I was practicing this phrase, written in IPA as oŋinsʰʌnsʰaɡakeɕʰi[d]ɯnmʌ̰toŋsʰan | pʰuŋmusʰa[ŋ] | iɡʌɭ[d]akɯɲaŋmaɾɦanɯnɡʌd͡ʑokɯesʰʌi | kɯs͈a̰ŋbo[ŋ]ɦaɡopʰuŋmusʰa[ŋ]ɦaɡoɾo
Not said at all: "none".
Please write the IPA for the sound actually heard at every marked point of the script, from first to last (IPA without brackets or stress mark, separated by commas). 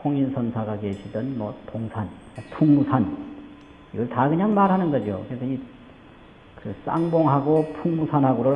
d, n, t, ŋ, n